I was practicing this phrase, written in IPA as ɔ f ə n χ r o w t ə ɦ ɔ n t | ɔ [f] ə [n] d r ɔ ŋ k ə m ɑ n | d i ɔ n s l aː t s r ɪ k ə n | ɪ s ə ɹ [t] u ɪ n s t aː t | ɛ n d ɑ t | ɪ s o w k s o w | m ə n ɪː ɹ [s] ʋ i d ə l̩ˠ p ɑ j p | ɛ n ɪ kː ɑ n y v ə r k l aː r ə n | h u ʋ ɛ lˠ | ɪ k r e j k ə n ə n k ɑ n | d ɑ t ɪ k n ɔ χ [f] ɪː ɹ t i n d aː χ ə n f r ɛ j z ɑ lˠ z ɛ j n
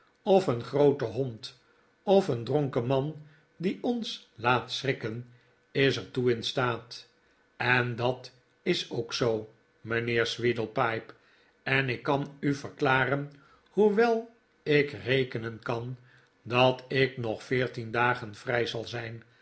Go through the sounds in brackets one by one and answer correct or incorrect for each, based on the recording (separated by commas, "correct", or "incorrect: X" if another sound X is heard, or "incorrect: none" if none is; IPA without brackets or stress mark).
correct, correct, correct, correct, correct